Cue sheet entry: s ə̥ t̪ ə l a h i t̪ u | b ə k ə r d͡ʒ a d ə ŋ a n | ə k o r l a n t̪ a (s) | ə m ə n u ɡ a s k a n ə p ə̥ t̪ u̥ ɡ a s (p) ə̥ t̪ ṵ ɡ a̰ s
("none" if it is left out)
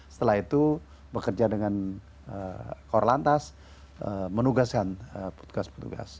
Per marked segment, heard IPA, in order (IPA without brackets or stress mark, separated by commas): s, p